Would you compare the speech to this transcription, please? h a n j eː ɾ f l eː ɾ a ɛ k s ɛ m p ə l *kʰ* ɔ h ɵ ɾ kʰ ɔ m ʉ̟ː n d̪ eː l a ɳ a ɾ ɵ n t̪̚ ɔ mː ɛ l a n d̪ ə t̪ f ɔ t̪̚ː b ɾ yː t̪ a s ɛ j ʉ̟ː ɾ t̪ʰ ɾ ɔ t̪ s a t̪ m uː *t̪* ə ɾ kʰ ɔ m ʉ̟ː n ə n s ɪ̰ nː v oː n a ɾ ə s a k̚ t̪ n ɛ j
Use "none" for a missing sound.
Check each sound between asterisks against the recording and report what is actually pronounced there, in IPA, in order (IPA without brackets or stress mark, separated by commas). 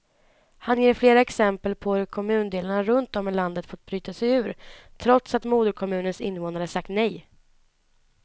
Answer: pʰ, d̪